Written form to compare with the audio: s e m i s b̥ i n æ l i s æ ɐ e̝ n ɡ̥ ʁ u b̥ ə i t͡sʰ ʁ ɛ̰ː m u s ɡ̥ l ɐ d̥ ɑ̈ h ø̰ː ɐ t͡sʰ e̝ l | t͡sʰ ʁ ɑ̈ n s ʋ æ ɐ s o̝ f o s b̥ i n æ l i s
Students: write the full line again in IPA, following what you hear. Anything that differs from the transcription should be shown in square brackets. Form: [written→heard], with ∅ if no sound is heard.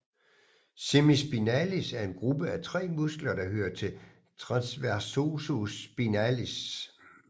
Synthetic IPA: s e m i s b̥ i n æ l i s æ ɐ e̝ n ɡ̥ ʁ u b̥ ə [i→æ] t͡sʰ ʁ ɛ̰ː m u s ɡ̥ l ɐ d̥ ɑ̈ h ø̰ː ɐ t͡sʰ e̝ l | t͡sʰ ʁ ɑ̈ n s ʋ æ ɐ s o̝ [f→s] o s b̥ i n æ l i s

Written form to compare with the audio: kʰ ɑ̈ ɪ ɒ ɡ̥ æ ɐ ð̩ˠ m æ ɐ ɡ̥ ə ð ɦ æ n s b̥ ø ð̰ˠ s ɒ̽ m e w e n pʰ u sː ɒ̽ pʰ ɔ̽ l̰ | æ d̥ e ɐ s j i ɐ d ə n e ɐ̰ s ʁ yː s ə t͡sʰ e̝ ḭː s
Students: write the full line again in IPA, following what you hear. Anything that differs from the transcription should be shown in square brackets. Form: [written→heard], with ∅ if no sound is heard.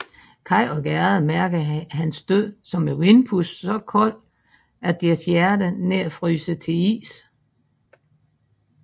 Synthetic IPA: kʰ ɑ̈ ɪ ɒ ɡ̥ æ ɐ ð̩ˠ m æ ɐ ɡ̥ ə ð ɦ æ n s [b̥→d̥] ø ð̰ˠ s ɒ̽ m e w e n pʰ u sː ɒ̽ [pʰ→kʰ] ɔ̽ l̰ | æ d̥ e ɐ s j [i→æ] ɐ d ə n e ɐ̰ [s→f] ʁ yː s ə t͡sʰ e̝ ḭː s

